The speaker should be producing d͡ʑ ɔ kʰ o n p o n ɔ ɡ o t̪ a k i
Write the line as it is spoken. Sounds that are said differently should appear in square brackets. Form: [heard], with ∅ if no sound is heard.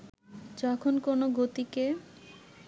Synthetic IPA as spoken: d͡ʑ ɔ kʰ o n [k] o n [o] ɡ o t̪ [i] k [e]